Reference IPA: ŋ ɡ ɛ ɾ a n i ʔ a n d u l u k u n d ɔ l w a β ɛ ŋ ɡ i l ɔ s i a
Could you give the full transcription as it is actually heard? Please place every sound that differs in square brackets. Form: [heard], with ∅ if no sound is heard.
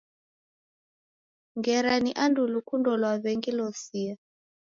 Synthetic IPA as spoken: ŋ ɡ ɛ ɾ a n i ʔ a n d u l u k u n d ɔ l w a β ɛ ŋ ɡ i l ɔ s i a